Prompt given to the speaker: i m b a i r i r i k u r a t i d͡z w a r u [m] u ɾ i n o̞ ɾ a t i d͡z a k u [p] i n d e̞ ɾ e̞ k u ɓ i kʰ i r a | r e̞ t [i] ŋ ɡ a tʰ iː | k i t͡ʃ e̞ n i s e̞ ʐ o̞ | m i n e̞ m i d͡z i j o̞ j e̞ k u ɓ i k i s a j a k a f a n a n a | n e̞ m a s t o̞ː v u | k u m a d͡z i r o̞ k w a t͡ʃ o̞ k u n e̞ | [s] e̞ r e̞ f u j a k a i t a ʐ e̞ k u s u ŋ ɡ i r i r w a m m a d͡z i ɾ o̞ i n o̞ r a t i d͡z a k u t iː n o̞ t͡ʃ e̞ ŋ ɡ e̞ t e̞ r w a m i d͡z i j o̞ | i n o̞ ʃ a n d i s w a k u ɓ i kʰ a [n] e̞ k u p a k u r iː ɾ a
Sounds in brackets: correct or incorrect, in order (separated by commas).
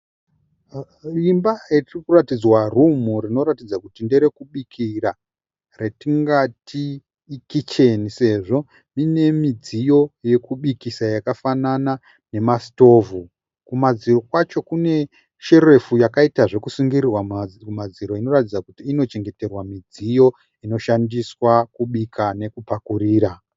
correct, incorrect, correct, incorrect, correct